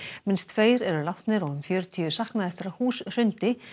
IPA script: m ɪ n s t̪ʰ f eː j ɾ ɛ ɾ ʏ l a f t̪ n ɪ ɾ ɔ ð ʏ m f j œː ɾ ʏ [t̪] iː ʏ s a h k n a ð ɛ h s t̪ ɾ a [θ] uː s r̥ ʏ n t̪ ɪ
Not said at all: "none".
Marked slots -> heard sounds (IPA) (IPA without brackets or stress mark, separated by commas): t̪ʰ, h